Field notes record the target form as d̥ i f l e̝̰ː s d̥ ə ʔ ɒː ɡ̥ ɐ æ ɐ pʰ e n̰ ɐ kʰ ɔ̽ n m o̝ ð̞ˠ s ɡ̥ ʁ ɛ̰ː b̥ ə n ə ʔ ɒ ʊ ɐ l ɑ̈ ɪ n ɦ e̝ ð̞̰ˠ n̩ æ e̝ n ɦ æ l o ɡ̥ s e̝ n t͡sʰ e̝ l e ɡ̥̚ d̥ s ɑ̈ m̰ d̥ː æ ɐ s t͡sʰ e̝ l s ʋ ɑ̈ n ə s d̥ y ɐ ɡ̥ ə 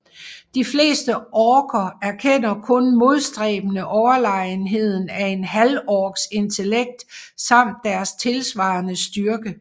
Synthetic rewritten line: d̥ i f l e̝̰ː s d̥ ə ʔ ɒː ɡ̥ ɐ æ ɐ kʰ e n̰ ɐ kʰ ɔ̽ n m o̝ ð̞ˠ s d̥ ʁ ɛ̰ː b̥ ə n ə ʔ ɒ ʊ ɐ l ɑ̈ ɪ n ɦ e̝ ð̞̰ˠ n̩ æ e̝ n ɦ æ l ɒ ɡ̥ s e̝ n t͡sʰ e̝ l e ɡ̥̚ d̥ s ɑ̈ m̰ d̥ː æ ɐ s t͡sʰ e̝ l s ʋ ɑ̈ n ə s d̥ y ɐ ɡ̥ ə